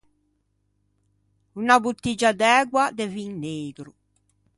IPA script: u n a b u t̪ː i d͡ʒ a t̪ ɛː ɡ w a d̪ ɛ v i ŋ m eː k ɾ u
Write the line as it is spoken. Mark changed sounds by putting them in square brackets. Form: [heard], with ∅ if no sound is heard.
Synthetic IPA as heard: u n a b u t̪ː i d͡ʒ a [d̪] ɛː ɡ w a d̪ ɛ v i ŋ [n] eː [ɡ] ɾ u